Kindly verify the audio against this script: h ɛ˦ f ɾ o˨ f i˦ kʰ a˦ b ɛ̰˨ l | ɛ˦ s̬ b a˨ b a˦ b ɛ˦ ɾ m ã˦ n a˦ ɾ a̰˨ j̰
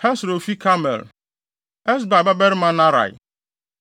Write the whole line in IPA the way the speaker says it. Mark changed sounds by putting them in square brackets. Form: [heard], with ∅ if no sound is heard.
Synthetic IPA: h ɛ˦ [s] ɾ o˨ f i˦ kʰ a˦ [m] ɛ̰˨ l | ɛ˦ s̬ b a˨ b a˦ b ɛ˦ ɾ m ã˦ n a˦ ɾ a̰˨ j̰